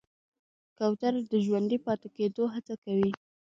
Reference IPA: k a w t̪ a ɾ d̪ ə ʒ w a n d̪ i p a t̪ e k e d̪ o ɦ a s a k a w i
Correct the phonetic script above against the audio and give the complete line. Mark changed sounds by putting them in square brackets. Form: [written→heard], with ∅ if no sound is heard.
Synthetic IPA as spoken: k a w t̪ a ɾ d̪ ə ʒ w a n d̪ i p [a→ɑ] t̪ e k e d̪ o ɦ a [s→t͡s] a k a w i